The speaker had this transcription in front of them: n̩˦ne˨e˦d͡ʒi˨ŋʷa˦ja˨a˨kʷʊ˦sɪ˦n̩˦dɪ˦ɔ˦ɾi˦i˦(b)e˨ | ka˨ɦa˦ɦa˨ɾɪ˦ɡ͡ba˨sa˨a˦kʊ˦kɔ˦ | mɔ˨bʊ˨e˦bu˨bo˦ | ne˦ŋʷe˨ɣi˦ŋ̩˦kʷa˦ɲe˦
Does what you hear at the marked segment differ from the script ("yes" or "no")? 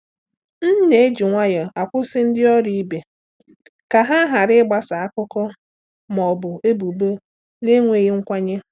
no